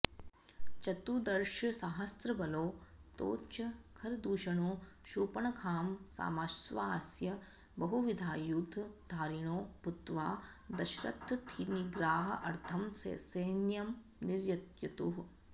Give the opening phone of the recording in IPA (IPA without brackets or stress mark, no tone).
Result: t͡ʃ